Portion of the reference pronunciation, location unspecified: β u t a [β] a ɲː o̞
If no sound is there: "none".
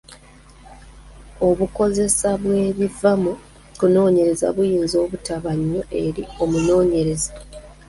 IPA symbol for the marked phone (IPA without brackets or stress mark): β